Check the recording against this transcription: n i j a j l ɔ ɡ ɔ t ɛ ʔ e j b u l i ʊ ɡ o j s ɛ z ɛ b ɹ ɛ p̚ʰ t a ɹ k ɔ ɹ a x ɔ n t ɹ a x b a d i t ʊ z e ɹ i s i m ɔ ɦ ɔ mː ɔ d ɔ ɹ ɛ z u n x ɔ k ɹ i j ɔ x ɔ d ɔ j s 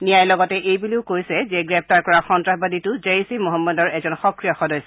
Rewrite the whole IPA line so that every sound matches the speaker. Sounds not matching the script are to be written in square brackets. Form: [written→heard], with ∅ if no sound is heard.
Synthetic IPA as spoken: n i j a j l ɔ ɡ ɔ t ɛ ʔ e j b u l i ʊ [ɡ→k] o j s ɛ z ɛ [b→ɡ] ɹ ɛ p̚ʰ t a ɹ k ɔ ɹ a x ɔ n t ɹ a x b a d i t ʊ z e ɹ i s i m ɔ ɦ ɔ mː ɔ d ɔ ɹ ɛ z [u→ɔ] n x ɔ k ɹ i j ɔ x ɔ d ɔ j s